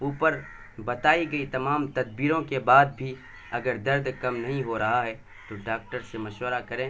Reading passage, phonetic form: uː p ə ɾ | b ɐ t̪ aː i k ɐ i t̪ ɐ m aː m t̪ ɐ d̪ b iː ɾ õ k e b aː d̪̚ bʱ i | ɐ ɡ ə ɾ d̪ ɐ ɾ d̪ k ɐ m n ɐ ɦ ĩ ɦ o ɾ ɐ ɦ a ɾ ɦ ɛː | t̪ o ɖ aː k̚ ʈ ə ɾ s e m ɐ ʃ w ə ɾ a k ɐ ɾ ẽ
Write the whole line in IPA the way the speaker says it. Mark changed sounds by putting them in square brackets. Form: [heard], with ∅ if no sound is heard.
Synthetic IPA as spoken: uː p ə ɾ | b ɐ t̪ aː i [ɡ] ɐ i t̪ ɐ m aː m t̪ ɐ d̪ b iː ɾ õ k e b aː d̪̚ bʱ i | ɐ ɡ ə ɾ d̪ ɐ ɾ d̪ k ɐ m n ɐ ɦ ĩ ɦ o ɾ ɐ ɦ a [∅] ɦ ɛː | t̪ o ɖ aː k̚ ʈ ə ɾ s e m ɐ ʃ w ə ɾ a k ɐ ɾ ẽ

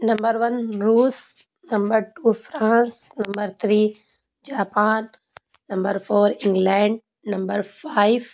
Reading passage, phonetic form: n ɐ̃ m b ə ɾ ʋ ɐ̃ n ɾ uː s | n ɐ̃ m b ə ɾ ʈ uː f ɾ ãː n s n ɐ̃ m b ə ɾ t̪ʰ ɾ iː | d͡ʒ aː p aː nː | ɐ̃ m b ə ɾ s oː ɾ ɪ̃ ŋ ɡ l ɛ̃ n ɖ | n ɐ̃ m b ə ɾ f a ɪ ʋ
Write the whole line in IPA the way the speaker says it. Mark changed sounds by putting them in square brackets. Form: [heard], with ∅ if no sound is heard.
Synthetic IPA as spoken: n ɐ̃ m b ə ɾ ʋ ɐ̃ n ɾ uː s | n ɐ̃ m b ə ɾ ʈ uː f ɾ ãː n s n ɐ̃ m b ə ɾ t̪ʰ ɾ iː | d͡ʒ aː p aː nː | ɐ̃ m b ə ɾ [f] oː ɾ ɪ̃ ŋ ɡ l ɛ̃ [ɳ] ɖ | n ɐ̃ m b ə ɾ f a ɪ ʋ

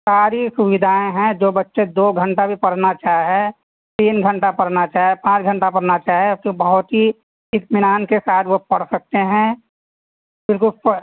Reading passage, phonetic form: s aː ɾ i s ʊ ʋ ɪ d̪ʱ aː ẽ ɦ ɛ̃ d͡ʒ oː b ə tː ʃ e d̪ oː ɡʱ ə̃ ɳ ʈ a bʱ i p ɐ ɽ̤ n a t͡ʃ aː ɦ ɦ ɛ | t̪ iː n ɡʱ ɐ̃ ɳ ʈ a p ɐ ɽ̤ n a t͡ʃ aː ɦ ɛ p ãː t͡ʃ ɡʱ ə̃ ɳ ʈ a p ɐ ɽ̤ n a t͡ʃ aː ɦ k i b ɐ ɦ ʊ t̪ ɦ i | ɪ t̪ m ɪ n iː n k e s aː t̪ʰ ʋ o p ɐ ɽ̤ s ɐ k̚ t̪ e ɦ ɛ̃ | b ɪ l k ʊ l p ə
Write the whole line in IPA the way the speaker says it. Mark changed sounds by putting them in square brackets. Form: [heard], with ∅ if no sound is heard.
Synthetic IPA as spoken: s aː ɾ i s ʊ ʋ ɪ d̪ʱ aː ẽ ɦ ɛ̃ d͡ʒ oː b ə tː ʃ e d̪ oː ɡʱ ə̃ ɳ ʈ a bʱ i p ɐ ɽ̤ n a t͡ʃ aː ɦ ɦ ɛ | t̪ iː n ɡʱ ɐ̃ ɳ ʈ a p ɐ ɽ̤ n a t͡ʃ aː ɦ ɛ p ãː t͡ʃ ɡʱ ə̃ ɳ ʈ a p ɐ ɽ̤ n a t͡ʃ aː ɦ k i b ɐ ɦ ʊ t̪ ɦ i | ɪ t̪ m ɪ n [aː] n k e s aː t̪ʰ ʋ o p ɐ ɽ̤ s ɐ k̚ t̪ e ɦ ɛ̃ | b ɪ l k ʊ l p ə

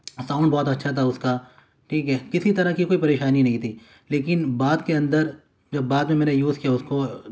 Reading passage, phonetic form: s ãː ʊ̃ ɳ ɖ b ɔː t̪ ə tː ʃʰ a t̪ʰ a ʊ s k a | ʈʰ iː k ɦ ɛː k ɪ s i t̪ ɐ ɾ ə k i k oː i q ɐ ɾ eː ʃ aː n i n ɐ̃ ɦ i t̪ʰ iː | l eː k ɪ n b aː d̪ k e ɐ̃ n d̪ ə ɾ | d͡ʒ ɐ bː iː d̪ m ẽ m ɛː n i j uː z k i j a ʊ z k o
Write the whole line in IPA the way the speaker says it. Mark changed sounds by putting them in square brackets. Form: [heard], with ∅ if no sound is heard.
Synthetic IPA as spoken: s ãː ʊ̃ ɳ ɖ b ɔː t̪ [ɐ] tː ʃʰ a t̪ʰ a ʊ s k a | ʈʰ iː k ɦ ɛː k ɪ s i t̪ ɐ ɾ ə k i k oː i [p] ɐ ɾ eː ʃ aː n i n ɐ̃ ɦ [ĩ] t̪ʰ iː | l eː k ɪ n b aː d̪ k e ɐ̃ n d̪ ə ɾ | d͡ʒ ɐ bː [aː] d̪ m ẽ m ɛː n [e] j uː z k i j a ʊ [s] k o

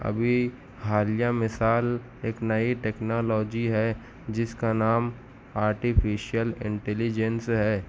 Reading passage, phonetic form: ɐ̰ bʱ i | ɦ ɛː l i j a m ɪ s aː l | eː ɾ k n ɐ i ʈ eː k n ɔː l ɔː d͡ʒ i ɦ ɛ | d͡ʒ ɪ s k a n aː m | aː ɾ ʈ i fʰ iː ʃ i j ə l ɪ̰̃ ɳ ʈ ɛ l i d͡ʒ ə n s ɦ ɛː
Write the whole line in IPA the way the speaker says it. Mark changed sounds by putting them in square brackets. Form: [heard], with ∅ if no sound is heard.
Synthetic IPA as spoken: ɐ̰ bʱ i | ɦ [aː] l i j a m ɪ s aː l | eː [∅] k n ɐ i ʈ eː k n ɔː l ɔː d͡ʒ i ɦ ɛ | d͡ʒ ɪ s k a n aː m | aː ɾ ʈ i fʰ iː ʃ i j ə l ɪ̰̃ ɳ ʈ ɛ l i d͡ʒ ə n s ɦ ɛː

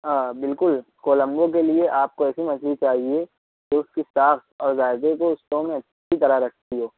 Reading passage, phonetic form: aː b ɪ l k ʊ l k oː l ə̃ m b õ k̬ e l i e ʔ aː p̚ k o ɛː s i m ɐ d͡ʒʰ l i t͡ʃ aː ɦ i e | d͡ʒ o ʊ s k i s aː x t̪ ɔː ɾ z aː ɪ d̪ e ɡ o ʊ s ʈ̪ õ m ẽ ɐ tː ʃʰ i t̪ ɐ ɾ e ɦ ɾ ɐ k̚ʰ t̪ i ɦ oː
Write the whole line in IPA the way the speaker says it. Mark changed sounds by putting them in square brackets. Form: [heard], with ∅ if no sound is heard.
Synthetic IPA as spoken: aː b ɪ l k ʊ l k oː l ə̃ m b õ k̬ e l i e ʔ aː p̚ k o ɛː s i m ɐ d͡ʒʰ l i t͡ʃ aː ɦ i e | d͡ʒ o ʊ s k i s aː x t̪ ɔː ɾ z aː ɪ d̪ e [k] o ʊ s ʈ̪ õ m ẽ ɐ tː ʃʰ i t̪ ɐ ɾ [a] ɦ ɾ ɐ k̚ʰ t̪ i ɦ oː

